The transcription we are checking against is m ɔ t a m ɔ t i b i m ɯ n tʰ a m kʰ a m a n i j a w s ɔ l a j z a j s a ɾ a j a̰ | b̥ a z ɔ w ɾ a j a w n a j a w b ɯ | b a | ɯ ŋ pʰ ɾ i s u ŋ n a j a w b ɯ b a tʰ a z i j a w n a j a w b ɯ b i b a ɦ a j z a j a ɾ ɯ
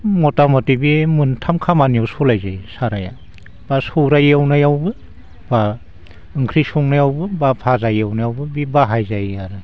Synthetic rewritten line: m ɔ t a m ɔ t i b i m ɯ n tʰ a m kʰ a m a n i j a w s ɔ l a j z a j s a ɾ a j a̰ | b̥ a s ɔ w ɾ a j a w n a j a w b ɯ | b a | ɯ ŋ kʰ ɾ i s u ŋ n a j a w b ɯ b a pʰ a z a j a w n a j a w b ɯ b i b a ɦ a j z a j a ɾ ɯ